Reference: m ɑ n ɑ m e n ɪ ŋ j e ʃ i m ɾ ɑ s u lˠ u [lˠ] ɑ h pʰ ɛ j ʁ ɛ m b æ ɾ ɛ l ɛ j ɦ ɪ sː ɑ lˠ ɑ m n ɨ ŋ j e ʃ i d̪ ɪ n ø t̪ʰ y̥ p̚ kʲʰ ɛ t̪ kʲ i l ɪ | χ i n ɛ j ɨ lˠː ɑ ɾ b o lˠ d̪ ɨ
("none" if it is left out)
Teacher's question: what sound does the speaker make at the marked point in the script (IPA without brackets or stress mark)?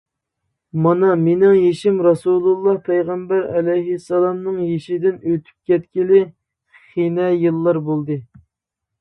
lˠː